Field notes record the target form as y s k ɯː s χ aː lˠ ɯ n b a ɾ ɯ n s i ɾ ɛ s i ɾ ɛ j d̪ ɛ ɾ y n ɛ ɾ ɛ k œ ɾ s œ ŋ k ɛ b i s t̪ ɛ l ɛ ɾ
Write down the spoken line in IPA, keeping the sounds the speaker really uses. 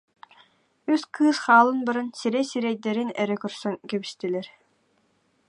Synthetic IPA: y s k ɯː s χ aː lˠ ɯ n b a ɾ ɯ n s i ɾ ɛ s i ɾ ɛ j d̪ ɛ ɾ i n ɛ ɾ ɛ k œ ɾ s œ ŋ k ɛ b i s t̪ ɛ l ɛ ɾ